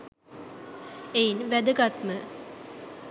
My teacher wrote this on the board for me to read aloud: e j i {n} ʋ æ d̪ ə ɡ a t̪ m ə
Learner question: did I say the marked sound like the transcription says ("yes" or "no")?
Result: yes